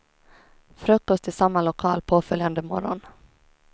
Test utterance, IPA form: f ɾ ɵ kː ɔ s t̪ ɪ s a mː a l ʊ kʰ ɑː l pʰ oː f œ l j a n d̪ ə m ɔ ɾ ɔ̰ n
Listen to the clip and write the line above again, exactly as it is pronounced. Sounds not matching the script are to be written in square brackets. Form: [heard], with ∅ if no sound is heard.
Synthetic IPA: f ɾ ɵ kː ɔ s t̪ ɪ s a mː a l ʊ kʰ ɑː l pʰ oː f œ l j a n d̪ ə m ɔ ɾ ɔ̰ n